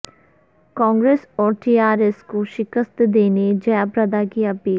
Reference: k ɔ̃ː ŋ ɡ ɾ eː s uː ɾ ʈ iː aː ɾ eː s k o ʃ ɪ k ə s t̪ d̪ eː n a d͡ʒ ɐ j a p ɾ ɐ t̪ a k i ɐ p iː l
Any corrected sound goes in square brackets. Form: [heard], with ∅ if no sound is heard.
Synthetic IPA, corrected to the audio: k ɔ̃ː ŋ ɡ ɾ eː s [ɔː] ɾ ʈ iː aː ɾ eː s k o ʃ ɪ k ə s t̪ d̪ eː n [e] d͡ʒ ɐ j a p ɾ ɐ [d̪] a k i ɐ p iː l